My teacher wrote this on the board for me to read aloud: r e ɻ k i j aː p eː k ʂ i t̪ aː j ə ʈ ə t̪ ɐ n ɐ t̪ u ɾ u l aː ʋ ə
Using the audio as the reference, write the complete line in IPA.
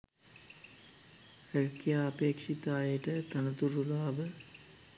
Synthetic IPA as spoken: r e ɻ k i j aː p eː k ʂ i t̪ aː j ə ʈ ə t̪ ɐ n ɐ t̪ u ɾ u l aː ʋ ə